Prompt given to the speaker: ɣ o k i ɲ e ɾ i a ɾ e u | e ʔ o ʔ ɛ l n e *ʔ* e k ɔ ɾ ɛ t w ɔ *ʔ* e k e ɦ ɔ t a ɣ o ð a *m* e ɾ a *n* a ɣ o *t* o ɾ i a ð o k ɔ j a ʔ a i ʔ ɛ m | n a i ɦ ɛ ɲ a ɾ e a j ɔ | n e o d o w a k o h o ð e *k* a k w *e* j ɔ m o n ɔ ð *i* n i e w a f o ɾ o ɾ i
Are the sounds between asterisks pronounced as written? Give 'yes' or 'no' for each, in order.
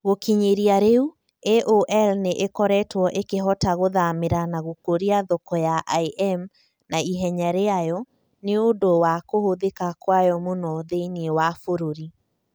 yes, yes, yes, yes, no, yes, no, no

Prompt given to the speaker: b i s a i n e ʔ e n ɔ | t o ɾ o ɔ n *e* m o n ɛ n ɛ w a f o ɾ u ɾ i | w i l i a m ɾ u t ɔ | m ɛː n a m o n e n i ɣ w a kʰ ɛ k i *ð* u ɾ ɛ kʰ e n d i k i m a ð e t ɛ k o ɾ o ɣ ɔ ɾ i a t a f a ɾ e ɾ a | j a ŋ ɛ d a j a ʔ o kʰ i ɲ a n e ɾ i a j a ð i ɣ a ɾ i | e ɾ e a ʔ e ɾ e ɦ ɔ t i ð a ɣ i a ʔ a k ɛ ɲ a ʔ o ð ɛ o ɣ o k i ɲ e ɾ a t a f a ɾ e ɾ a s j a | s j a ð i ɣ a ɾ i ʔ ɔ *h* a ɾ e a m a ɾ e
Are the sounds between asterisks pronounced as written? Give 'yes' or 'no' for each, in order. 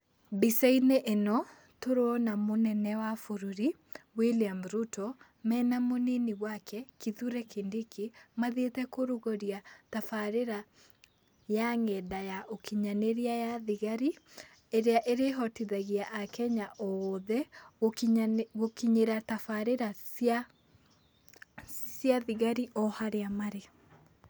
no, yes, yes

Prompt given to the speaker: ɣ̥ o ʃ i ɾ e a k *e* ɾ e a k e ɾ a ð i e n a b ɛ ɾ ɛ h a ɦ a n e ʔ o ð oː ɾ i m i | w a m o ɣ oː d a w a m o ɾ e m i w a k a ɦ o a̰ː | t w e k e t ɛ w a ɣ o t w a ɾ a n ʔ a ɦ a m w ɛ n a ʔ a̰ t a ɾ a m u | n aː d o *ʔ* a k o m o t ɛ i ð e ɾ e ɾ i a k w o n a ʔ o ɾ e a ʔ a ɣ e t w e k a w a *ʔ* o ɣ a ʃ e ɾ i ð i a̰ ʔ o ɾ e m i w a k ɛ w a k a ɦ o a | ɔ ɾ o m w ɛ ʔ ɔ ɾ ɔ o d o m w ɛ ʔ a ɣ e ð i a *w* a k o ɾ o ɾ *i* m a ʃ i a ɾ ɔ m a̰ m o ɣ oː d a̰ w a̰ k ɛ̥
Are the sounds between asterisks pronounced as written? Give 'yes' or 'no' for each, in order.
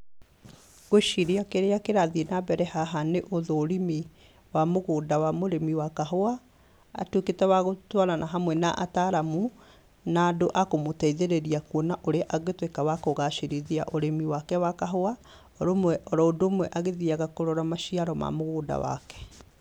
yes, yes, no, no, no

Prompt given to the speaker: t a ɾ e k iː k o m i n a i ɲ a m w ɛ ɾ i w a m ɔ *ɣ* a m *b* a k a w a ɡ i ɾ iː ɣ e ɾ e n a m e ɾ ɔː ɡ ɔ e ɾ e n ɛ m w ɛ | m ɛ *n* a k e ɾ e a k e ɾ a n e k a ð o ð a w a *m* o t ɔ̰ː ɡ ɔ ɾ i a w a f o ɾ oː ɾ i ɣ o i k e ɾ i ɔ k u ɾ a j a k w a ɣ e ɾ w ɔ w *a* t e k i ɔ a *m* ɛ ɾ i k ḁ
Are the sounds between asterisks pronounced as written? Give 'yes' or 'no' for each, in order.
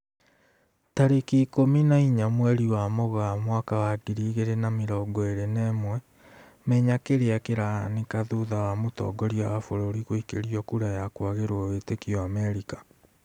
yes, no, no, yes, no, yes

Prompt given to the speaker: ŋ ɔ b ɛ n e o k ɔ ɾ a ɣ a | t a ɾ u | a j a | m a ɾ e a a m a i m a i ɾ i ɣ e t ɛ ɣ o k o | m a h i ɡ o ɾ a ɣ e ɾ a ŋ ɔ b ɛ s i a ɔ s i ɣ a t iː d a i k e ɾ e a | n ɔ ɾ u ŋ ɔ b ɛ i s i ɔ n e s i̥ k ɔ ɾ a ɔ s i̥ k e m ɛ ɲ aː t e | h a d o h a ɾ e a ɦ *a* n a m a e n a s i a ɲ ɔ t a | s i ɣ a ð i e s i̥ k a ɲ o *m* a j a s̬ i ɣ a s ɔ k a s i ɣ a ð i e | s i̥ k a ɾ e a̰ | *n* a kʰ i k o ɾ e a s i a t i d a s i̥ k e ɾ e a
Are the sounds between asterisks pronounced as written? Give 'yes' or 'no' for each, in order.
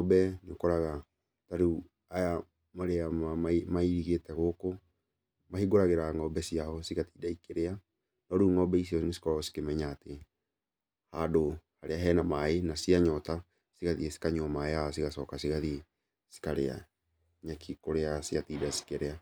no, yes, no

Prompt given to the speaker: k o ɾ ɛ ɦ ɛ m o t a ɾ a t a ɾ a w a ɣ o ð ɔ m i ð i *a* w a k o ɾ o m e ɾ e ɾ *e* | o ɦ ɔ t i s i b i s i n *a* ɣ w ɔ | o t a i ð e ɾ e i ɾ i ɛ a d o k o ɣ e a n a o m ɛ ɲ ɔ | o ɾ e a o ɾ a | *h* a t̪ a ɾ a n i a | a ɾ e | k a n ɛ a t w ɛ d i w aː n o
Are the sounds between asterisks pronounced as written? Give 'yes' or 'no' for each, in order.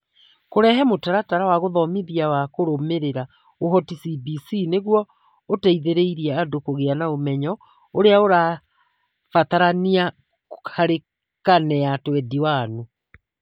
yes, no, no, no

